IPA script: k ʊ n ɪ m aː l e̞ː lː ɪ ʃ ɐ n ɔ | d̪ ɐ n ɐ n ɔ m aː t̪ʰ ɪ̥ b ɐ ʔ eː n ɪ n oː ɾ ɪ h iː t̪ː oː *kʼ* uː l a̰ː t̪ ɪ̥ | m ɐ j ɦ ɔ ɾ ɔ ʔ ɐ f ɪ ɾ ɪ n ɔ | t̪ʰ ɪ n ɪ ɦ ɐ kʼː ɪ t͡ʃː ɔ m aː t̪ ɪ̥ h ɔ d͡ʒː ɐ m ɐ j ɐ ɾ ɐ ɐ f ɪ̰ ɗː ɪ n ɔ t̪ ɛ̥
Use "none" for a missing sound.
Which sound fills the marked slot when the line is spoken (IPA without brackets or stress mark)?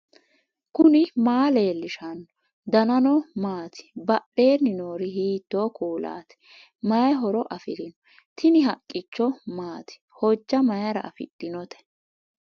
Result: k